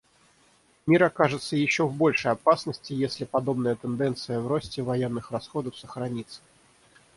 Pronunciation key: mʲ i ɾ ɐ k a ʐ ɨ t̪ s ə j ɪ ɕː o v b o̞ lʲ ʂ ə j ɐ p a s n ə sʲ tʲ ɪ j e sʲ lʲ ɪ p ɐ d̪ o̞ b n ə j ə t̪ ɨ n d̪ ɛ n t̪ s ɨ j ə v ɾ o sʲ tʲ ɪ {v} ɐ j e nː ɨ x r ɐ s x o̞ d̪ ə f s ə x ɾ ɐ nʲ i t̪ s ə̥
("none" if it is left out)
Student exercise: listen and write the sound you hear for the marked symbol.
v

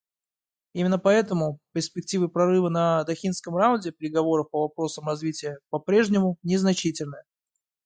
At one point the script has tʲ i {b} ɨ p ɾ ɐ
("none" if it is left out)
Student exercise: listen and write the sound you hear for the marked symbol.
v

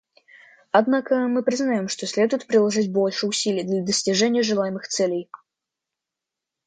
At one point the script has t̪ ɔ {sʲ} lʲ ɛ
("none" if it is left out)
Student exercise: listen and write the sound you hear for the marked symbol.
sʲ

